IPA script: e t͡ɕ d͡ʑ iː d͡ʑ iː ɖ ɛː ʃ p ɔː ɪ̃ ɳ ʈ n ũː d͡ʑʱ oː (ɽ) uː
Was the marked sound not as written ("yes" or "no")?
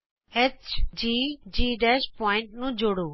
no